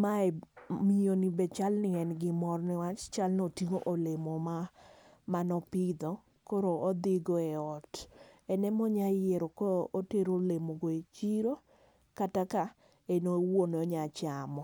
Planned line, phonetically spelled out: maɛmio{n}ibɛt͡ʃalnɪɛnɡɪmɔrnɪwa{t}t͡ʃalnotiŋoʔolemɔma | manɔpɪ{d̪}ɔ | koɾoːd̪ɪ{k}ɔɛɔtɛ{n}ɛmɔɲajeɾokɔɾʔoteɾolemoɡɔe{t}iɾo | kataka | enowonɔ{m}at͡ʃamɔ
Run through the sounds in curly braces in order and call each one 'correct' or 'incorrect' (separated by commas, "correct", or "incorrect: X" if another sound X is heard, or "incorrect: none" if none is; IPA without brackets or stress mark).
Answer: correct, incorrect: t͡ʃ, correct, incorrect: ɡ, correct, incorrect: t͡ʃ, incorrect: ɲ